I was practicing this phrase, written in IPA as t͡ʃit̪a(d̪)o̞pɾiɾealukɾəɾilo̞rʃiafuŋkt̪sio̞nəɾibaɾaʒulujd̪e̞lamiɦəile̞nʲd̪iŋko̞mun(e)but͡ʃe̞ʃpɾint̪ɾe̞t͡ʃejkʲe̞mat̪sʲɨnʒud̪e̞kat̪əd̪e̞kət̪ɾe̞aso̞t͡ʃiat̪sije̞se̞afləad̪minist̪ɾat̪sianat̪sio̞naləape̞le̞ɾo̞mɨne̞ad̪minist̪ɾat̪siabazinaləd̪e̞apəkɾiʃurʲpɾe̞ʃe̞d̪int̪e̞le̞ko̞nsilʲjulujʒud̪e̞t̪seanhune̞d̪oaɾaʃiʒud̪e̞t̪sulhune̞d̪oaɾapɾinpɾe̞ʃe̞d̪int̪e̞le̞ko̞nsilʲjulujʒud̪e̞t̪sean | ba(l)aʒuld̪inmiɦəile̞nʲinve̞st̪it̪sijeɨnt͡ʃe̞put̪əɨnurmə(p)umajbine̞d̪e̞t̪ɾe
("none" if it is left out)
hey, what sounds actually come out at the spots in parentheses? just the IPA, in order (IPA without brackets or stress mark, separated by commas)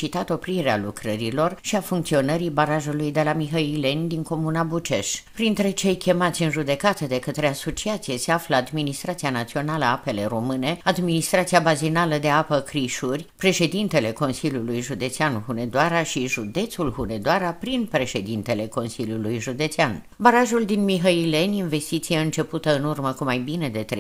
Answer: t̪, a, ɾ, k